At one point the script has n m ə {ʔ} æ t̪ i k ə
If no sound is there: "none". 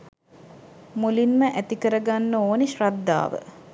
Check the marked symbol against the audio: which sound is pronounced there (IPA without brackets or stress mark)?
ʔ